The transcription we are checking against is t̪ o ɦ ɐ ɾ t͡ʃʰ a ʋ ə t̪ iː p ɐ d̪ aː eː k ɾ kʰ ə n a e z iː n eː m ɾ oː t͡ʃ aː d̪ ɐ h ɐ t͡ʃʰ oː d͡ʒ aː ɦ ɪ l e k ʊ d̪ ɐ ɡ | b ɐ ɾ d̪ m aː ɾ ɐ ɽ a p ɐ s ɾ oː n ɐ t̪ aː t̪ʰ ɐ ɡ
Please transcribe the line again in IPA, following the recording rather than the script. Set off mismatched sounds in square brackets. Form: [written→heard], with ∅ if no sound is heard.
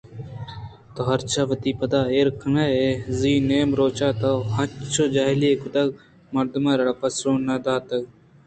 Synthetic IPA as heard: t̪ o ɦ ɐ ɾ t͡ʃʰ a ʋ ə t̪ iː p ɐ d̪ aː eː [k→∅] ɾ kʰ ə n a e z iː n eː m ɾ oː t͡ʃ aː [d̪→t̪] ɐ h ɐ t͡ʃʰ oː d͡ʒ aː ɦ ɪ l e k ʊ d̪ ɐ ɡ | [b→m] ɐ ɾ d̪ m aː ɾ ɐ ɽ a p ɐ s ɾ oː n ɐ [t̪→d̪] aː [t̪ʰ→t̪] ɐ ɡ